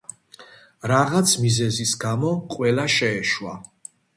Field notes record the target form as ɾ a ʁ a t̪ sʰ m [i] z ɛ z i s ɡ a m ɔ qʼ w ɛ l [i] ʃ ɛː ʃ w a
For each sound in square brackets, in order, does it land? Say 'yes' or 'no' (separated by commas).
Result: yes, no